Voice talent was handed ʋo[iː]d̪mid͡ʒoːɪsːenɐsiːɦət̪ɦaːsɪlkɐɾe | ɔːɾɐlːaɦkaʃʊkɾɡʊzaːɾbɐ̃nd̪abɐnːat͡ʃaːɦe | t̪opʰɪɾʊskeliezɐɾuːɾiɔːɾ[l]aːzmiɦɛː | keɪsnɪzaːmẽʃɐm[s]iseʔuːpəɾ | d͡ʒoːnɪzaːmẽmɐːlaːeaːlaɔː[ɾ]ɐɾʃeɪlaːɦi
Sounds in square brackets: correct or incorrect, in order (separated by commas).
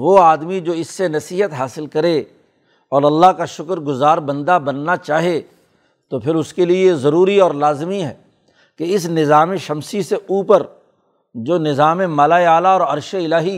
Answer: incorrect, correct, correct, correct